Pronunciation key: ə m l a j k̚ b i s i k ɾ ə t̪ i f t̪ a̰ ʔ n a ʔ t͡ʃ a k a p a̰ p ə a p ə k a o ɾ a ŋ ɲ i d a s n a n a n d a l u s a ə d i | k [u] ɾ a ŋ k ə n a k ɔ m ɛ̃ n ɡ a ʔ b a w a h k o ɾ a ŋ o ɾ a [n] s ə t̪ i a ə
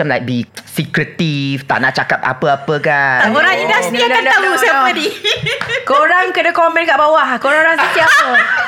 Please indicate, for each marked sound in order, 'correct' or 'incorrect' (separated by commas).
incorrect, incorrect